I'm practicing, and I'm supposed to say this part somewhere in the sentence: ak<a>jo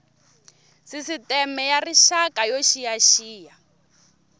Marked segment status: correct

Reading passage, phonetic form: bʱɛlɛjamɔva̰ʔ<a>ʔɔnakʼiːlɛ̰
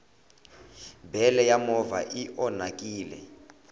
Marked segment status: incorrect: i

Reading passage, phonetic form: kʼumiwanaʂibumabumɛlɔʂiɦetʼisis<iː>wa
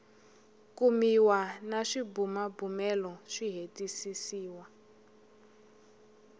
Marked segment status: correct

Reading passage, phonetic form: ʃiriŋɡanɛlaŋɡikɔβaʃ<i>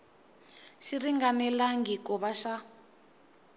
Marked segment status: incorrect: a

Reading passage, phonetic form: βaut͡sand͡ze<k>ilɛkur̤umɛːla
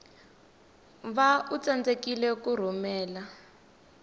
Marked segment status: correct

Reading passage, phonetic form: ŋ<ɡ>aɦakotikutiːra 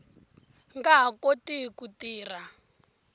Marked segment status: correct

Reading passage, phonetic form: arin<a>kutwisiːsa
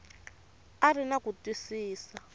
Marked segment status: correct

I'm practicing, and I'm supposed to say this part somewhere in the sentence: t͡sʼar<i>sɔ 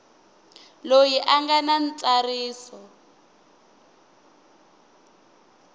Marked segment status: incorrect: iː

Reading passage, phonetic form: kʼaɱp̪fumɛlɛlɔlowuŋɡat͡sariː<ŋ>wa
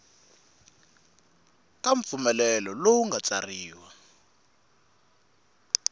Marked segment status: incorrect: none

